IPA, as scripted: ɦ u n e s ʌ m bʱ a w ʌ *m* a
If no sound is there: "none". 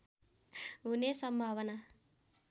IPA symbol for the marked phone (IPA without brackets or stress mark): n